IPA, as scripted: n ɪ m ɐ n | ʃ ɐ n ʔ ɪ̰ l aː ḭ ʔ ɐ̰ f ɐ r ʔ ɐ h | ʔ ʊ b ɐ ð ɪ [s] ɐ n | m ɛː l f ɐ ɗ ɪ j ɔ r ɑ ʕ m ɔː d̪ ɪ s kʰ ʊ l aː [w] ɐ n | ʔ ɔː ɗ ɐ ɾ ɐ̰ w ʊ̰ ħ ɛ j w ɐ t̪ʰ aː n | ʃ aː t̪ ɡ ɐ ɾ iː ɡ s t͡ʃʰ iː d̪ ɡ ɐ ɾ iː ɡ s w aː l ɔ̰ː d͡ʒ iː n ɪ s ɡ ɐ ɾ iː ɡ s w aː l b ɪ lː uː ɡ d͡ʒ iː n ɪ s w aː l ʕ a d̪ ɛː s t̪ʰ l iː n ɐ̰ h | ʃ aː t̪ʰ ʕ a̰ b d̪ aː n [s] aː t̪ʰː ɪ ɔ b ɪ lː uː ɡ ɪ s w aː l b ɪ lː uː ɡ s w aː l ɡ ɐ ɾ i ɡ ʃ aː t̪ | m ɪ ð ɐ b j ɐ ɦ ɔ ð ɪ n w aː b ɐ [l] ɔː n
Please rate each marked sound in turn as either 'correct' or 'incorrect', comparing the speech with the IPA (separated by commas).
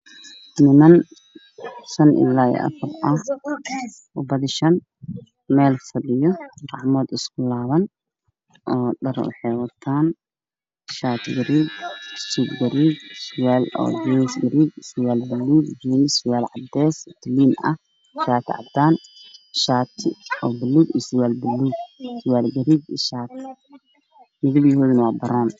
incorrect, incorrect, incorrect, incorrect